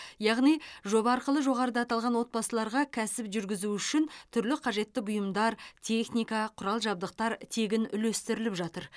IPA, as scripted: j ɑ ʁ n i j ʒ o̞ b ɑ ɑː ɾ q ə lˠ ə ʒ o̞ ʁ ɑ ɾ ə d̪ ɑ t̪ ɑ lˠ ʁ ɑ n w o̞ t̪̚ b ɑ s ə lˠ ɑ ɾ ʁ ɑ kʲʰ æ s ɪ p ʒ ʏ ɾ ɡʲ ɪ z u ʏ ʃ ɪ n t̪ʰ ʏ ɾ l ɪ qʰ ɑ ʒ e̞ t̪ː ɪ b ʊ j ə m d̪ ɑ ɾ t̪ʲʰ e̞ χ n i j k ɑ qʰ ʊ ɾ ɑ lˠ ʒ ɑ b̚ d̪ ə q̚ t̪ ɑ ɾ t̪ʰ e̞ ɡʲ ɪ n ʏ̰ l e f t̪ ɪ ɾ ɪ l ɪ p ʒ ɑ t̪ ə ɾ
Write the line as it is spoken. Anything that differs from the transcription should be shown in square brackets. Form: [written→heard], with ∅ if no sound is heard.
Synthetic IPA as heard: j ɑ ʁ n i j ʒ o̞ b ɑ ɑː ɾ q ə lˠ ə ʒ o̞ ʁ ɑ ɾ ə d̪ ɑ t̪ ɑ lˠ ʁ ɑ n w o̞ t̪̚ b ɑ s ə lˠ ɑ ɾ ʁ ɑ kʲʰ æ s ɪ p ʒ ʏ ɾ ɡʲ ɪ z u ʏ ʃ ɪ n t̪ʰ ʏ ɾ l ɪ qʰ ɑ ʒ e̞ t̪ː ɪ b ʊ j ə m d̪ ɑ ɾ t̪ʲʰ e̞ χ n i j k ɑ qʰ ʊ ɾ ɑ lˠ ʒ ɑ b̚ d̪ ə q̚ t̪ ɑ ɾ t̪ʰ e̞ ɡʲ ɪ n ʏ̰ l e [f→s] t̪ ɪ ɾ ɪ l ɪ p ʒ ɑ t̪ ə ɾ